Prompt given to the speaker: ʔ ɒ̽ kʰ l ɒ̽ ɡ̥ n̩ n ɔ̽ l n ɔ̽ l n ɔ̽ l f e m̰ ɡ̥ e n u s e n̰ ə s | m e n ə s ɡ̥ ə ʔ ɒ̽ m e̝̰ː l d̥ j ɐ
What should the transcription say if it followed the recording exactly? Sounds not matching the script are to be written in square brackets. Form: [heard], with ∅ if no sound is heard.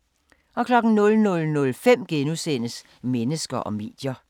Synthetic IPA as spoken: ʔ ɒ̽ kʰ l ɒ̽ ɡ̥ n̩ n ɔ̽ l n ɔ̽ l n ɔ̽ l f e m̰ ɡ̥ e n u s e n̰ ə s | m e n ə s ɡ̥ [ɐ] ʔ ɒ̽ m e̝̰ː [∅] d̥ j ɐ